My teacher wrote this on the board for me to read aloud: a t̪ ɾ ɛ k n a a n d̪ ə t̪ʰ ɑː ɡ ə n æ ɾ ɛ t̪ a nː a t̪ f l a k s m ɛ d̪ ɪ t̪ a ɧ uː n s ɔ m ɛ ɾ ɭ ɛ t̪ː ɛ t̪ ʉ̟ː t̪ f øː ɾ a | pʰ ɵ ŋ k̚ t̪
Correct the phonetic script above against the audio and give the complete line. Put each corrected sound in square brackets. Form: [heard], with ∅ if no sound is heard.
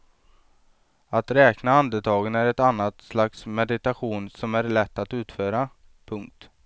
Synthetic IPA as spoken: a t̪ ɾ [ɛː] k n a a n d̪ ə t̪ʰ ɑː ɡ ə n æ ɾ ɛ t̪ a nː a t̪ [s] l a k s m ɛ d̪ ɪ t̪ a ɧ uː n s ɔ m [æ] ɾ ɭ ɛ t̪ː [a] t̪ ʉ̟ː t̪ f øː ɾ a | pʰ ɵ ŋ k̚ t̪

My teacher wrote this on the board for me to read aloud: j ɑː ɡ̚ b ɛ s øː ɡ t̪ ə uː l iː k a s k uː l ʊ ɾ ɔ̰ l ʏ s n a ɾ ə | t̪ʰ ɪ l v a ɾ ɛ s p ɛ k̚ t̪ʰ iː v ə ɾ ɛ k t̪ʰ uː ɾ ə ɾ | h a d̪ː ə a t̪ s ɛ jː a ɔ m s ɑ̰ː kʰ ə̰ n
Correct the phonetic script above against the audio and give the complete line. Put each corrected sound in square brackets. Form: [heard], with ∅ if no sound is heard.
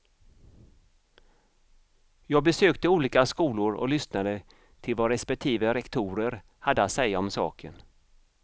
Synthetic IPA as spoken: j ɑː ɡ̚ b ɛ s øː [k] t̪ ə uː l iː k a s k uː l ʊ ɾ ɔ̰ l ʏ s n a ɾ ə | t̪ʰ ɪ l v a ɾ ɛ s p ɛ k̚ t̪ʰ iː v ə ɾ ɛ k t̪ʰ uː ɾ ə ɾ | h a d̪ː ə a t̪ s ɛ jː a ɔ m s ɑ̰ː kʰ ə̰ n

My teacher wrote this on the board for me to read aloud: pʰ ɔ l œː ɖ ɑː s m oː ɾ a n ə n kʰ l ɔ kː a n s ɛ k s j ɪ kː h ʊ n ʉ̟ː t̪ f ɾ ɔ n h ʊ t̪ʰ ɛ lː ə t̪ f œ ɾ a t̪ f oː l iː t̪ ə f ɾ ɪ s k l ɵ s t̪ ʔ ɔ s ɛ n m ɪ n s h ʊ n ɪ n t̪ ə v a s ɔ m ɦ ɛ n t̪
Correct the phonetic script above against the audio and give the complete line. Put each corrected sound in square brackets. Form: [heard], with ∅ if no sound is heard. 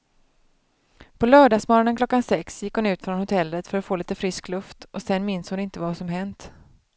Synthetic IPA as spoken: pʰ ɔ l œː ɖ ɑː s m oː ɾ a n ə n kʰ l ɔ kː a n s ɛ k s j ɪ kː h ʊ n ʉ̟ː t̪ f ɾ ɔ n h ʊ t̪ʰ ɛ lː ə t̪ f œ ɾ a t̪ f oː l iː t̪ ə f ɾ ɪ s k l ɵ [f] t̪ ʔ ɔ s ɛ n m ɪ n s h ʊ n ɪ n t̪ ə v a s ɔ m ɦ ɛ n t̪

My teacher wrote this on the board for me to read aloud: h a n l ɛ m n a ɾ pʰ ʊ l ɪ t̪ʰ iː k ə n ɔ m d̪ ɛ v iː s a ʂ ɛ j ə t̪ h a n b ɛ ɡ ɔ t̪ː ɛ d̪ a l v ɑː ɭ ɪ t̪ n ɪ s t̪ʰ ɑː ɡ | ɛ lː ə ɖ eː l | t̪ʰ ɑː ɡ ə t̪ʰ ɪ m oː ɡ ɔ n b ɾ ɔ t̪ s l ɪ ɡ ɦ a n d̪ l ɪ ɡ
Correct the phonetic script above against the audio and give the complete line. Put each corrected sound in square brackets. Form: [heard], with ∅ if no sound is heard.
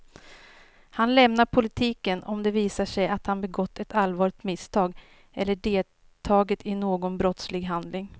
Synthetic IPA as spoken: h a n l ɛ m n a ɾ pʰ ʊ l ɪ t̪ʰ iː k ə n ɔ m d̪ ɛ v iː s a ʂ ɛ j [a] t̪ h a n b ɛ ɡ ɔ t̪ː ɛ [t̪] a l v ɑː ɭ ɪ t̪ [m] ɪ s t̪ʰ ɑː ɡ | ɛ lː ə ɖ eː l | t̪ʰ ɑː ɡ ə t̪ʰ ɪ [n] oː ɡ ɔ n b ɾ ɔ t̪ s l ɪ ɡ ɦ a n d̪ l ɪ [ŋ]

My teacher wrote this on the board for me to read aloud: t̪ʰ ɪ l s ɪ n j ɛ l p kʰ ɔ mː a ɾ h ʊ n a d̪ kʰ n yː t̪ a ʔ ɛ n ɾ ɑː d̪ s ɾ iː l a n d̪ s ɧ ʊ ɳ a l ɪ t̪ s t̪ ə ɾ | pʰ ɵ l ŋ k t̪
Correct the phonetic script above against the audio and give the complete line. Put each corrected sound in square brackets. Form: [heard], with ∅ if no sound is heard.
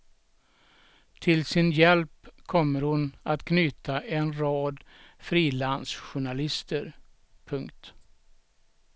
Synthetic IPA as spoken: t̪ʰ ɪ l s ɪ n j ɛ l p kʰ ɔ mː [ə] ɾ h ʊ n a [t̪] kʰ n yː t̪ a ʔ ɛ n ɾ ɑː d̪ [f] ɾ iː l a n d̪ s ɧ ʊ ɳ a l ɪ [∅] s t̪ ə ɾ | pʰ ɵ [∅] ŋ k t̪

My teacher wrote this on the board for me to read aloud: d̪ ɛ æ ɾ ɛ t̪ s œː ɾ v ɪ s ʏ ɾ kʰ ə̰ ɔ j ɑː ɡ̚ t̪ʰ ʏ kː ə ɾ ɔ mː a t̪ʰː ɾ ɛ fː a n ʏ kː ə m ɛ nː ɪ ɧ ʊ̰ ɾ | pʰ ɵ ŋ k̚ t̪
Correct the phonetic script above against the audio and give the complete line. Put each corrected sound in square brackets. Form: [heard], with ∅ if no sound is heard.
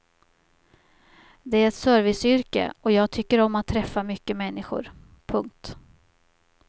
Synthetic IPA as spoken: d̪ ɛ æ ɾ ɛ t̪ s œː ɾ v ɪ s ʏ ɾ [k] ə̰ ɔ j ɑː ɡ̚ t̪ʰ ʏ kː ə ɾ ɔ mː a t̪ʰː ɾ ɛ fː a [m] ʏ kː ə m ɛ nː ɪ ɧ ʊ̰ ɾ | pʰ ɵ ŋ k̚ t̪

